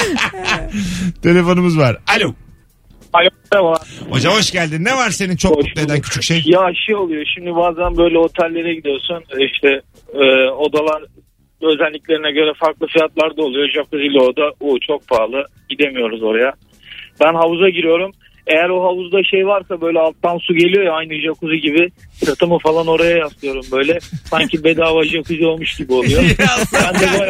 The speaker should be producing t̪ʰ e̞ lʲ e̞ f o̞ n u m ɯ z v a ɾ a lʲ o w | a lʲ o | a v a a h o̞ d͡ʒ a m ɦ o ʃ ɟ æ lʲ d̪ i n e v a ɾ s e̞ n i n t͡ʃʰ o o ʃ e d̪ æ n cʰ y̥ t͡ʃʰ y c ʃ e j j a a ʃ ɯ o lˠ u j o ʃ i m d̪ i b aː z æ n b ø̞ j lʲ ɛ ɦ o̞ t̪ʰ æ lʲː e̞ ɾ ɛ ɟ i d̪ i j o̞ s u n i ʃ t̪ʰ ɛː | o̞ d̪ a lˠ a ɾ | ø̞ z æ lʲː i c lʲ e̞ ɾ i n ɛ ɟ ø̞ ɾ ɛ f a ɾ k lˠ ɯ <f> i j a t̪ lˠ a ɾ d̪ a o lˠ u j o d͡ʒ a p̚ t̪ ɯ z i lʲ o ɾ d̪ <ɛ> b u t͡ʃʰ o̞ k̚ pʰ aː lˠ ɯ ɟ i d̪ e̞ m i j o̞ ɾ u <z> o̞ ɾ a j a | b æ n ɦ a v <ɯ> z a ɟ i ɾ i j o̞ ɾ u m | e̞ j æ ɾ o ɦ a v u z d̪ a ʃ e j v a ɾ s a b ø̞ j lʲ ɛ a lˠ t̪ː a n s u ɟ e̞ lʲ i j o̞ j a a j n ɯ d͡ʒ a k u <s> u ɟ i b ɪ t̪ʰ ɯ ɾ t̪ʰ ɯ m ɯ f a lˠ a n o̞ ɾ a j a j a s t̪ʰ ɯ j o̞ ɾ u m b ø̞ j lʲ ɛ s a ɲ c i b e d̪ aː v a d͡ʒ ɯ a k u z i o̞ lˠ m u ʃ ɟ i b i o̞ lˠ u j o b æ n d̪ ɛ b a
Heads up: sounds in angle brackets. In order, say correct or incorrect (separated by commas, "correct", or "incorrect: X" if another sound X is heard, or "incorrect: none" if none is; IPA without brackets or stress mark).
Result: correct, incorrect: a, correct, incorrect: u, incorrect: z